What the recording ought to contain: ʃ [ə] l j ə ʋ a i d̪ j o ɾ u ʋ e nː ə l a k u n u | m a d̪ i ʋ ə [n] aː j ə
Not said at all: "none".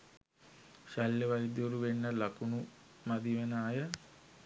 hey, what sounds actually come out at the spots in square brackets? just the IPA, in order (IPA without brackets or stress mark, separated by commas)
a, n